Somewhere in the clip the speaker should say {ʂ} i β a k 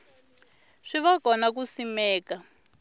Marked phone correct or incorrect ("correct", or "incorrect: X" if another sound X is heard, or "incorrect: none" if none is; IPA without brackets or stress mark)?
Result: correct